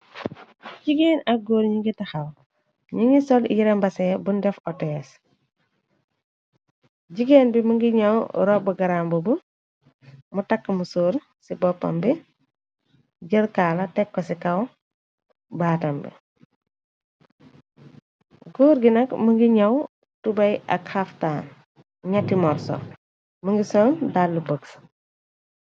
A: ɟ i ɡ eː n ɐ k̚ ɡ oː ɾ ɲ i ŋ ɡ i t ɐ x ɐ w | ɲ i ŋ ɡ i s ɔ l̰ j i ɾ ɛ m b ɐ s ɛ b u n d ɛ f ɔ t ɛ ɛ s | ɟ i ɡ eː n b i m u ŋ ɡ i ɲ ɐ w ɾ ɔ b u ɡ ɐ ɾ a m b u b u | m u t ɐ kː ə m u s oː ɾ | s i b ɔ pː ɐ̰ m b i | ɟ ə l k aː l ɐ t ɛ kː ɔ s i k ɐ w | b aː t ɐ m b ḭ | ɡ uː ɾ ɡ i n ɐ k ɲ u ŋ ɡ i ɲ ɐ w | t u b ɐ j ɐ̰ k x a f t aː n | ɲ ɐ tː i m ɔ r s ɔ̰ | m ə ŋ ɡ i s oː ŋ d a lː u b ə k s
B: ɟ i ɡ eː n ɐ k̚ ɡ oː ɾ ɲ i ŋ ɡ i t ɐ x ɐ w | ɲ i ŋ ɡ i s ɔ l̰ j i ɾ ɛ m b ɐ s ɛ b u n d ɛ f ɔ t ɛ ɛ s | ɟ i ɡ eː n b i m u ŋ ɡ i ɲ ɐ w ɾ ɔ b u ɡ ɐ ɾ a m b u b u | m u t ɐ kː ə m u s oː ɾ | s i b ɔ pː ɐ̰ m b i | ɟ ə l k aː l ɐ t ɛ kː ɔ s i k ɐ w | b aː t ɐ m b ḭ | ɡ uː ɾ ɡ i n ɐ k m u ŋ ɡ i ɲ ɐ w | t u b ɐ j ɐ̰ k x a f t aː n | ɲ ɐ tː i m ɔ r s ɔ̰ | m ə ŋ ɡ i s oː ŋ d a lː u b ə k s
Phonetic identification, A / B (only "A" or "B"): B